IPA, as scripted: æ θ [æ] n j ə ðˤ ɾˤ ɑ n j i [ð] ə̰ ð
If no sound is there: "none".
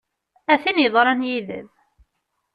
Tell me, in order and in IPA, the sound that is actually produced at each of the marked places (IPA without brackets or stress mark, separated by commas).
i, ð